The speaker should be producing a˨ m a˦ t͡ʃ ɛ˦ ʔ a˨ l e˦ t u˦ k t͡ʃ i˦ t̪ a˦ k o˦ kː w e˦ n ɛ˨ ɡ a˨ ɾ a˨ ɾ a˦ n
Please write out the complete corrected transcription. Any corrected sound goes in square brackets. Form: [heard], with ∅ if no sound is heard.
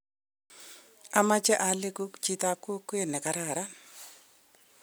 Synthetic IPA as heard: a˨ m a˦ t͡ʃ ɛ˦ ʔ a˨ l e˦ [k] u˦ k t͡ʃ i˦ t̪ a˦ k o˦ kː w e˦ n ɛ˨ [k] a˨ ɾ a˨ ɾ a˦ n